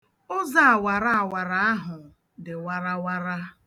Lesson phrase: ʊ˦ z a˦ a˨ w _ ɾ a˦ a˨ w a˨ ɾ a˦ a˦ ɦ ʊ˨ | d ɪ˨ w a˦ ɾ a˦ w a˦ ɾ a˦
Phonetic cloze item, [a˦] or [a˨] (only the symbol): a˨